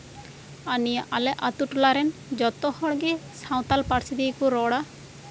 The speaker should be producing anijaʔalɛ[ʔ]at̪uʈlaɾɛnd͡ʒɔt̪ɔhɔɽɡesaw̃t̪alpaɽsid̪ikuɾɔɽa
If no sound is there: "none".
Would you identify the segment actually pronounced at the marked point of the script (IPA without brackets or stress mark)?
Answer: ʔ